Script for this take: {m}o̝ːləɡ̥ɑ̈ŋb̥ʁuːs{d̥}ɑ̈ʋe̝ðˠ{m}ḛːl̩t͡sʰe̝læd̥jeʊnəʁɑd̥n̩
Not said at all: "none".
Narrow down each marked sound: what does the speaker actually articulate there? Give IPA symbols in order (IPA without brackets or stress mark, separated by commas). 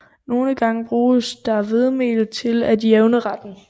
n, d̥, m